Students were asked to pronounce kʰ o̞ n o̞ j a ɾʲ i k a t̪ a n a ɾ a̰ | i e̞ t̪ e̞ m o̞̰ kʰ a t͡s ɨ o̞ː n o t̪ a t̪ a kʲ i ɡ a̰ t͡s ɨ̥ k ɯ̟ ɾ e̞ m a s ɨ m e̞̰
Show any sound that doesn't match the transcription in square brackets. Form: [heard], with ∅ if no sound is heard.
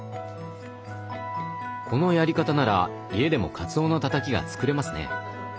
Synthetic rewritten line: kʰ o̞ n o̞ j a ɾʲ i k a t̪ a n a ɾ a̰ | i e̞ [d̪] e̞ m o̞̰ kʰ a t͡s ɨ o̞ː n o t̪ a t̪ a kʲ i ɡ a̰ t͡s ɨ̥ k ɯ̟ ɾ e̞ m a s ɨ [n] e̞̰

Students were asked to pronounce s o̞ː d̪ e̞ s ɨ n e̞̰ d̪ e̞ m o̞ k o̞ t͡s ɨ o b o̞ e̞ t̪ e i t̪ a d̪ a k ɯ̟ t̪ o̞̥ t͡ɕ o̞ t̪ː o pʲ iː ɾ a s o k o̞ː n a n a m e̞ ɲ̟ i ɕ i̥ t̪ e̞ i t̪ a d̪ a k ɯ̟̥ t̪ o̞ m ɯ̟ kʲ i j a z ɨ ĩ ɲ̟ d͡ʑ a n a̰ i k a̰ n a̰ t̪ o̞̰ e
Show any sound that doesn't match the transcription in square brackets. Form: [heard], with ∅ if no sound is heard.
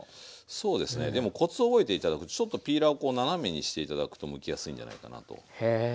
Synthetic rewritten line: s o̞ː d̪ e̞ s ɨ n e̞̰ d̪ e̞ m o̞ k o̞ t͡s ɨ o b o̞ e̞ t̪ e i t̪ a d̪ a k ɯ̟ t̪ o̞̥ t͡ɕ o̞ t̪ː o pʲ iː ɾ a [∅] o k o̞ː n a n a m e̞ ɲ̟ i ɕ i̥ t̪ e̞ i t̪ a d̪ a k ɯ̟̥ t̪ o̞ m ɯ̟ kʲ i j a [s] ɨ ĩ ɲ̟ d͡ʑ a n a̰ i k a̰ n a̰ t̪ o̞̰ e

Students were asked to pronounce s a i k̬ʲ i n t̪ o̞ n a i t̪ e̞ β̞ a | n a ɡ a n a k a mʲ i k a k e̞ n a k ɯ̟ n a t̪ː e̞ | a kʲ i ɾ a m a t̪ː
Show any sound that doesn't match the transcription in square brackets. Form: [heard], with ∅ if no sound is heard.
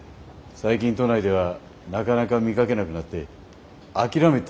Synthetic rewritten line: s a i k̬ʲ [ĩ] n t̪ o̞ n a i [d̪] e̞ β̞ a | n a [k] a n a k a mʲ i k a k e̞ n a k ɯ̟ n a t̪ː e̞ | a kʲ i ɾ a m [e] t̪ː

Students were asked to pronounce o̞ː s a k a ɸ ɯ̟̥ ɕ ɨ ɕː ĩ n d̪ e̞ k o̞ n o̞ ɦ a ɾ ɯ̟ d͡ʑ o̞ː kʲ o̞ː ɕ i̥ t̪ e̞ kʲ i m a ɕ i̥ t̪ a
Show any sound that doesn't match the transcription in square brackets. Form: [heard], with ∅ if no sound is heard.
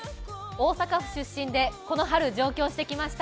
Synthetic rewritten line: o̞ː s a k a ɸ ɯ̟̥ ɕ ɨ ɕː ĩ n d̪ e̞ k o̞ n o̞ ɦ a ɾ ɯ̟ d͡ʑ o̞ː kʲ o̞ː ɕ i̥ t̪ e̞ kʲ i m a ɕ i̥ t̪ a

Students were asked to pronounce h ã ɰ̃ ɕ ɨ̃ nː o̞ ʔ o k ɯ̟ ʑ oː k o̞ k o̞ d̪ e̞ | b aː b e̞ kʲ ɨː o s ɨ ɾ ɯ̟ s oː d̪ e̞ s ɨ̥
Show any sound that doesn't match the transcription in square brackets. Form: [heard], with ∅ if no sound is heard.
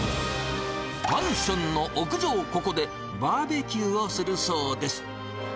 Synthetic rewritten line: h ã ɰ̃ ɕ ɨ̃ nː o̞ ʔ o k ɯ̟ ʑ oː k o̞ k o̞ d̪ e̞ | b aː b e̞ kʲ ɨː o s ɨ ɾ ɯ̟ s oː d̪ e̞ s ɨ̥

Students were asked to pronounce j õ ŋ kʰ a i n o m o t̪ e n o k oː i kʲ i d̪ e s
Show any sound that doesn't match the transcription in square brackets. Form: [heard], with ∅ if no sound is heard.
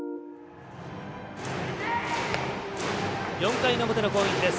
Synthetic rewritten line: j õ ŋ [k] a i n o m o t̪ e n o k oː i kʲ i d̪ e s

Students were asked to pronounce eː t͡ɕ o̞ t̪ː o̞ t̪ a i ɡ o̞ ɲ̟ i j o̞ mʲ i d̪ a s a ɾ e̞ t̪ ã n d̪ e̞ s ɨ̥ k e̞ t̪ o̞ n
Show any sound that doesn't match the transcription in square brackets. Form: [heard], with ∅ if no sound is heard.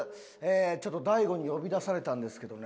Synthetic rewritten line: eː t͡ɕ o̞ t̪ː o̞ [d̪] a i ɡ o̞ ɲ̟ i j o̞ [bʲ] i d̪ a s a ɾ e̞ t̪ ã n d̪ e̞ s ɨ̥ k e̞ [d̪] o̞ n

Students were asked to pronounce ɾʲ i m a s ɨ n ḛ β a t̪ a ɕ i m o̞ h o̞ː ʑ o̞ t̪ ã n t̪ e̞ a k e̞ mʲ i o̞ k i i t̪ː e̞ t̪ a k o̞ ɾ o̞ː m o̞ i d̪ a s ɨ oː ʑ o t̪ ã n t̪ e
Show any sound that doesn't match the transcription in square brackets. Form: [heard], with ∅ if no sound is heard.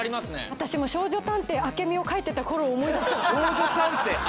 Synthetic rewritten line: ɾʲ i m a s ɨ n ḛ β a t̪ a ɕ i m o̞ [ɕ] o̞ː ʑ o̞ t̪ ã n t̪ e̞ a k e̞ mʲ i o̞ k [a] i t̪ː e̞ t̪ a k o̞ ɾ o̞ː m o̞ i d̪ a s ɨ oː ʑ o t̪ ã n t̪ e

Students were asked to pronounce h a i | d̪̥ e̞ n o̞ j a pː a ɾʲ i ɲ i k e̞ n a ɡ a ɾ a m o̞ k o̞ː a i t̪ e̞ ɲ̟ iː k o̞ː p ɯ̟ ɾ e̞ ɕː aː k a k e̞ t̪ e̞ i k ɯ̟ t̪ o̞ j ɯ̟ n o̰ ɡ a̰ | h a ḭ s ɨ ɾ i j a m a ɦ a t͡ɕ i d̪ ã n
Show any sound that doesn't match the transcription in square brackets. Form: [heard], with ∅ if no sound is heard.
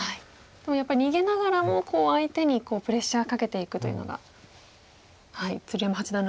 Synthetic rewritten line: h a i | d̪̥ e̞ [m] o̞ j a pː a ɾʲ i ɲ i [ɡ] e̞ n a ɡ a ɾ a m o̞ k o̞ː a i t̪ e̞ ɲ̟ [i] k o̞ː p ɯ̟ ɾ e̞ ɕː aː k a k e̞ t̪ e̞ i k ɯ̟ t̪ o̞ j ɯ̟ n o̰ ɡ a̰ | h a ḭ [t͡s] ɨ ɾ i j a m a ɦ a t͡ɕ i d̪ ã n

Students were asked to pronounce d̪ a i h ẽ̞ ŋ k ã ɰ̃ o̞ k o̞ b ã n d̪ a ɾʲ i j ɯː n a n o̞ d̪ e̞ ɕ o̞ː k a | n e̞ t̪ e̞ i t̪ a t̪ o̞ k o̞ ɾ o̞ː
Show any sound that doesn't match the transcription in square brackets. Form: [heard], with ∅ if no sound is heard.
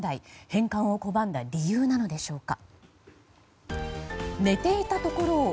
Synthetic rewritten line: d̪ a i h ẽ̞ ŋ k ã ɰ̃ o̞ k o̞ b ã n d̪ a ɾʲ i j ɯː n a n o̞ d̪ e̞ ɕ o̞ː k a | n e̞ t̪ e̞ i t̪ a t̪ o̞ k o̞ ɾ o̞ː

